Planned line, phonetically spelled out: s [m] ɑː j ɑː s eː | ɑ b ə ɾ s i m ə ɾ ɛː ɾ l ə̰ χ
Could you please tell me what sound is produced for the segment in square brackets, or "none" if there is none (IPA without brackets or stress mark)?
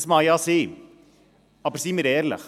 m